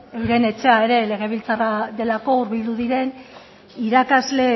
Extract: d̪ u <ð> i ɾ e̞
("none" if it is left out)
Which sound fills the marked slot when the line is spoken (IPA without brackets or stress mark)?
ð